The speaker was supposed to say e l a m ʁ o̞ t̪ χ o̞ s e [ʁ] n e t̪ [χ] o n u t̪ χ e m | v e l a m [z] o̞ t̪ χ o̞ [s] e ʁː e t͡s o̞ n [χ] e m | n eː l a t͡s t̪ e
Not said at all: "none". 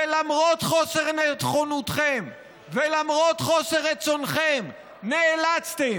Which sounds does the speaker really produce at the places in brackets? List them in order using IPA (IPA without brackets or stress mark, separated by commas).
ʁ, χ, ʁ, s, χ